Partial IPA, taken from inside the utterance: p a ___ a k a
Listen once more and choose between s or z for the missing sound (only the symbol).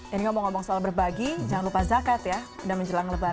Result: z